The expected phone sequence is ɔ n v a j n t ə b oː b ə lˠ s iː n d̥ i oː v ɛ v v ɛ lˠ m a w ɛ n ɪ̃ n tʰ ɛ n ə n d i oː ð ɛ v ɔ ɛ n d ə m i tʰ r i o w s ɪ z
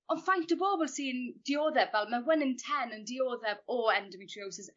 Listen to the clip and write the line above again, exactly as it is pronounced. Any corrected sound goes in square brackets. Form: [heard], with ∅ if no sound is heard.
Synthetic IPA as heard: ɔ n [f] a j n t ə b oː b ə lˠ s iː n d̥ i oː [ð] ɛ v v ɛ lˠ m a w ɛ n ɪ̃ n tʰ ɛ n ə n d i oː ð ɛ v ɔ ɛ n d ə m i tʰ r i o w s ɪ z

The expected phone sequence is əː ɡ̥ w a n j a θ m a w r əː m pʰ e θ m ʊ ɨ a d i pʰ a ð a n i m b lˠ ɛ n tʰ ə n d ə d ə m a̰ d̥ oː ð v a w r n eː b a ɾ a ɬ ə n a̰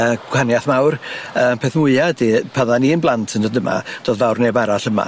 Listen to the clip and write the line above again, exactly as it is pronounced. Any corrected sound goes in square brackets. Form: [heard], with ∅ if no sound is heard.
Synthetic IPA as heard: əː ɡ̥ w a n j a θ m a w r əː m pʰ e θ m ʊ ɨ a d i pʰ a ð a n i [n] b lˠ [a] n tʰ ə n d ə d ə m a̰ d̥ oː ð v a w r n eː b a ɾ a ɬ ə [m] a̰

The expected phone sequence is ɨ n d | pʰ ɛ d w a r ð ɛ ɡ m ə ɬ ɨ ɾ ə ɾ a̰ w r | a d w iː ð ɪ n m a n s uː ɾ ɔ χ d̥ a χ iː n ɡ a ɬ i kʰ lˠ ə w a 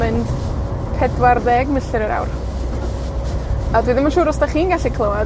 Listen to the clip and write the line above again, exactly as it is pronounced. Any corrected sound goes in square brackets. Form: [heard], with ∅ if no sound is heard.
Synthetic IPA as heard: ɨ n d | pʰ ɛ d w a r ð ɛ ɡ m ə ɬ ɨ ɾ ə ɾ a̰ w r | a d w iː ð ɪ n m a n [ʃ] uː ɾ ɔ [s] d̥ a χ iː n ɡ a ɬ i kʰ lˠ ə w a

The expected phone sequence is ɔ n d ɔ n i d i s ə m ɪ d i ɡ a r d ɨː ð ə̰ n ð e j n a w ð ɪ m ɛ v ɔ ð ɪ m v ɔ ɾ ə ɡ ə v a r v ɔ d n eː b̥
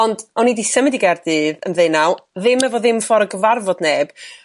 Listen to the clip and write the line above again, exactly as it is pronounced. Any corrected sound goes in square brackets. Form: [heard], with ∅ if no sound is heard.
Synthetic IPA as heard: ɔ n d ɔ n i d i s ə m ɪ d i ɡ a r d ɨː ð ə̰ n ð e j n a w ð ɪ m ɛ v ɔ ð ɪ m [f] ɔ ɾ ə ɡ ə v a r v ɔ d n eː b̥

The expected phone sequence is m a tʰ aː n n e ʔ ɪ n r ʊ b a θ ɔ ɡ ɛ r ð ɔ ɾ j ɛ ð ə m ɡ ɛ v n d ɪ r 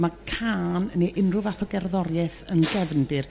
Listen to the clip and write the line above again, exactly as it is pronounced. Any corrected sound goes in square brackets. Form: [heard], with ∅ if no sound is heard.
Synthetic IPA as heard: m a [kʰ] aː n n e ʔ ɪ n r ʊ [v] a θ ɔ ɡ ɛ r ð ɔ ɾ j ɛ [θ] ə [n] ɡ ɛ v n d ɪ r

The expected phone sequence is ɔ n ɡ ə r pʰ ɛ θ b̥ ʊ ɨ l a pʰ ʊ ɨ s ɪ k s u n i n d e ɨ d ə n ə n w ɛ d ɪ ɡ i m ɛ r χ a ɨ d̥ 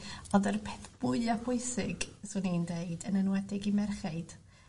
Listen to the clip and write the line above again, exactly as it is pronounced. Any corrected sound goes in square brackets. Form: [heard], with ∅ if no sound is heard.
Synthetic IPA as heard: ɔ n [d] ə r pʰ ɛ θ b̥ ʊ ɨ l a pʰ ʊ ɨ s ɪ [ɡ] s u n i n d e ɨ d ə n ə n w ɛ d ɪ ɡ i m ɛ r χ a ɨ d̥

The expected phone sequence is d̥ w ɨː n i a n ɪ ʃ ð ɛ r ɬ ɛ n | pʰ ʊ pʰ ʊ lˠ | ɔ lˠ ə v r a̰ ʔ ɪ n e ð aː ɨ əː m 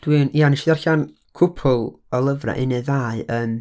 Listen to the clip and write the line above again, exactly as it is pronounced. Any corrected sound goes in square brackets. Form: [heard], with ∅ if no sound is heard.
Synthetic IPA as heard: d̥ w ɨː n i a n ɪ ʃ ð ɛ r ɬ [a] n | [kʰ] ʊ pʰ ʊ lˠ | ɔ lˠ ə v r a̰ ʔ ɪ n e ð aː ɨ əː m

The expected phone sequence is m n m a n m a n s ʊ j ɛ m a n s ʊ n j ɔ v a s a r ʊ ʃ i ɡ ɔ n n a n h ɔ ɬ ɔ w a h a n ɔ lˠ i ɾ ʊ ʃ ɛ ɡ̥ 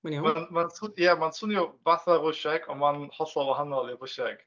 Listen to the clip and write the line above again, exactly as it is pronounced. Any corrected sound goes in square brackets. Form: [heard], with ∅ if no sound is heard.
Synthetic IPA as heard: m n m a n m a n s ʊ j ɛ m a n s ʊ n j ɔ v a [θ] a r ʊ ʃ [ɛ] ɡ ɔ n [m] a n h ɔ ɬ ɔ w a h a n ɔ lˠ i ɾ ʊ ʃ ɛ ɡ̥

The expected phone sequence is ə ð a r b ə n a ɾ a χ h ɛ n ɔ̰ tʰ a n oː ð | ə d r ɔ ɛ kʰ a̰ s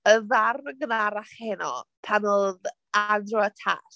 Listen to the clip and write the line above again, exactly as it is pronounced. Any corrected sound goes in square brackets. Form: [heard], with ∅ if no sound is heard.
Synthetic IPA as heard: ə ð a r [ɡ] ə n a ɾ a χ h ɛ n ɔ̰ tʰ a n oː ð | [a] d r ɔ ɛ [tʰ] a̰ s

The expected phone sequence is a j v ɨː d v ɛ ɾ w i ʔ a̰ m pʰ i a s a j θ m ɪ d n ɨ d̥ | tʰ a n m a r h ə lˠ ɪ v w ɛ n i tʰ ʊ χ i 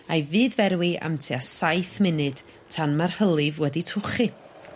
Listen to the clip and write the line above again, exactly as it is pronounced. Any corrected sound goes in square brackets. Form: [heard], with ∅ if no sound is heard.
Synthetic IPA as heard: a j v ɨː d v ɛ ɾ w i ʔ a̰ m [tʰ] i a s a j θ m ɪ [∅] n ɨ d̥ | tʰ a n m a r h ə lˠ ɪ v w ɛ [d] i tʰ ʊ χ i

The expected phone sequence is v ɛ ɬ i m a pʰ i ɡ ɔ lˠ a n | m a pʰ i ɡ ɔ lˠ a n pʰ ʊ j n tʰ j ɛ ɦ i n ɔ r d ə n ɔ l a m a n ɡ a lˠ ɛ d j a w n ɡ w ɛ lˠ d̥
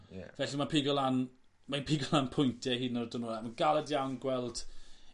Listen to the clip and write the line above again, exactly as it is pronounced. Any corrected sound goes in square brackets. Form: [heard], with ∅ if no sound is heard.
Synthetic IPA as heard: v ɛ ɬ i m a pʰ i ɡ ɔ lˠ a n | m a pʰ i ɡ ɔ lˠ a n pʰ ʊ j n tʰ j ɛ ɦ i n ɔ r d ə n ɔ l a m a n ɡ a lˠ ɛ d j a w n ɡ w ɛ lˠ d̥

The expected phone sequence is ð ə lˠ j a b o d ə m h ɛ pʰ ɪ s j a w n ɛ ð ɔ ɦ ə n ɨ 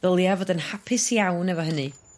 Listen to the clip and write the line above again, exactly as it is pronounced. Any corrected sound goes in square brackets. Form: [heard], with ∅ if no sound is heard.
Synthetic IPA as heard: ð ə lˠ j a [v] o d ə [n] h [a] pʰ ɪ s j a w n ɛ [v] ɔ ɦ ə n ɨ

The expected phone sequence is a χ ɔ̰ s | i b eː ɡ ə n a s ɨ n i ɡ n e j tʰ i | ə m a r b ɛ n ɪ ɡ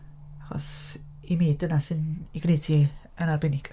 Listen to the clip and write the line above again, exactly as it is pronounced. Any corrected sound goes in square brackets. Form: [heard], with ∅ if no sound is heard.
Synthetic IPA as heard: a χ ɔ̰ s | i [m] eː [d] ə n a s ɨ n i ɡ n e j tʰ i | ə [n] a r b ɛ n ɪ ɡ

